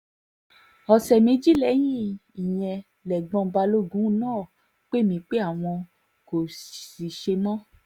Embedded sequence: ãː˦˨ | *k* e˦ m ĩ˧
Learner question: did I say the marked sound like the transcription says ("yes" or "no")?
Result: no